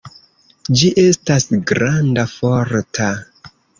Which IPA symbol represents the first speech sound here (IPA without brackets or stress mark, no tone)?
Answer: d͡ʒ